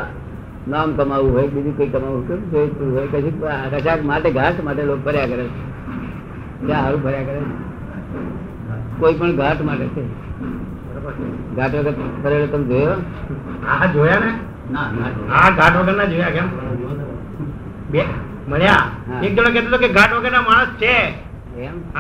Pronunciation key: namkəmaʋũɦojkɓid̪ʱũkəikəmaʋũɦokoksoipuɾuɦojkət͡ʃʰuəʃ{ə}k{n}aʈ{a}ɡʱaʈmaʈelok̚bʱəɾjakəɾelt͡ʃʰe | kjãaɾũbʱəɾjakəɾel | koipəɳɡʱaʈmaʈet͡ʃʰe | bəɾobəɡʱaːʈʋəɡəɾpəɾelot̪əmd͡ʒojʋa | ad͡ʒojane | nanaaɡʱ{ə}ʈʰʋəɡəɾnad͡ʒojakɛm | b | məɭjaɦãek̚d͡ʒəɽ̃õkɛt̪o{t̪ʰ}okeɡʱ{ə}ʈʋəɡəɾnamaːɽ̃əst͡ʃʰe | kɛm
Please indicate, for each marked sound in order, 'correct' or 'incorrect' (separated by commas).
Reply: incorrect, incorrect, incorrect, incorrect, incorrect, incorrect